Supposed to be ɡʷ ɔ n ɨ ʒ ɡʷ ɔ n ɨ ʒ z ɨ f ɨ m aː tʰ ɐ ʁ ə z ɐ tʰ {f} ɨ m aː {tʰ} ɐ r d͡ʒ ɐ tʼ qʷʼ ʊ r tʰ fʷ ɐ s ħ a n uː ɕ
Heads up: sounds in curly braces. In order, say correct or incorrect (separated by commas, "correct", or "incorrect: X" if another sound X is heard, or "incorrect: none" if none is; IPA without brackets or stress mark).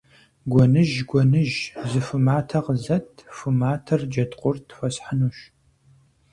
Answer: correct, correct